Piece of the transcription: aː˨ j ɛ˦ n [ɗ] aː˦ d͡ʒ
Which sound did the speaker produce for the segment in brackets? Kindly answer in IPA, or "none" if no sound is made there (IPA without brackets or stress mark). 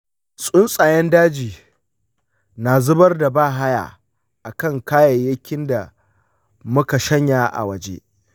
d